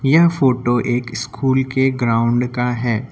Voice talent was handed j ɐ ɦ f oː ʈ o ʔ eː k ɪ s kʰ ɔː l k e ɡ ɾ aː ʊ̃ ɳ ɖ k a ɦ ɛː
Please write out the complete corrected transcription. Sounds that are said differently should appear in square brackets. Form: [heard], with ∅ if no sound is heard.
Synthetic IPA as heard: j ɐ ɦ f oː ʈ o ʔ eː k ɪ s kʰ [uː] l k e ɡ ɾ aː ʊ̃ ɳ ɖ k a ɦ ɛː